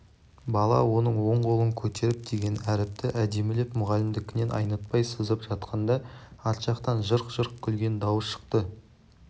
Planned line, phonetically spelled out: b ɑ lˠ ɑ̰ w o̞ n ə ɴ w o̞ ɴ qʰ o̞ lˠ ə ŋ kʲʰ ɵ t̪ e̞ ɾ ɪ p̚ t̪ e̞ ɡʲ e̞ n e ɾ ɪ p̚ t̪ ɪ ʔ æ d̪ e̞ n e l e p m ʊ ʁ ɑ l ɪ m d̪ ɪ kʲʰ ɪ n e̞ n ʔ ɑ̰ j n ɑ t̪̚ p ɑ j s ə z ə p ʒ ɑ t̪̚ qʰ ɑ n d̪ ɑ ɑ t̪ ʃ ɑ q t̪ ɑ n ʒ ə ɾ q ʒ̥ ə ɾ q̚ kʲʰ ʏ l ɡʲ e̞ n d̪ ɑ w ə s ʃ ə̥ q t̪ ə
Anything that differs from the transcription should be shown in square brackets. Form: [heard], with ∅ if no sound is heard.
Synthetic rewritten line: b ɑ lˠ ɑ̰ w o̞ n ə ɴ w o̞ ɴ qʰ o̞ lˠ ə ŋ kʲʰ ɵ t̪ e̞ ɾ ɪ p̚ [d̪] e̞ ɡʲ e̞ n [æ] ɾ ɪ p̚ t̪ ɪ ʔ æ d̪ e̞ [m] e l e p m ʊ ʁ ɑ l ɪ m d̪ ɪ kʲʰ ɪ n e̞ n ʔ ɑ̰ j n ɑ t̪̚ p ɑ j s ə z ə p ʒ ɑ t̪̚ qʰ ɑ n d̪ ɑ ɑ t̪ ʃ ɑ q t̪ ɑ n ʒ ə ɾ q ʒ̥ ə ɾ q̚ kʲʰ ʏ l ɡʲ e̞ n d̪ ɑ w ə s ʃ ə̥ q t̪ ə